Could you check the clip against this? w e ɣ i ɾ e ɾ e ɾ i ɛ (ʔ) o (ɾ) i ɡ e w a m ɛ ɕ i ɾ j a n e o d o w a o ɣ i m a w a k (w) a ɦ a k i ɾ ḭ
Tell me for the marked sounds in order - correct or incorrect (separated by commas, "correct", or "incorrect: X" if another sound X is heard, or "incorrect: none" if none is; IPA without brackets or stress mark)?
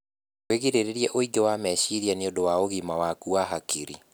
correct, incorrect: none, incorrect: u